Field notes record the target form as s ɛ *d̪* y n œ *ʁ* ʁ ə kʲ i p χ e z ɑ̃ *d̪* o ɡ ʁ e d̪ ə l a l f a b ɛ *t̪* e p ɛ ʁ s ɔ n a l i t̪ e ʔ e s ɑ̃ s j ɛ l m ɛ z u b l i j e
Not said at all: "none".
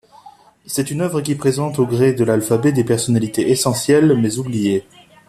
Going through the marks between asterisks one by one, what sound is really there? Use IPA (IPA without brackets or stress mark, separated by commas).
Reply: t̪, v, t̪, d̪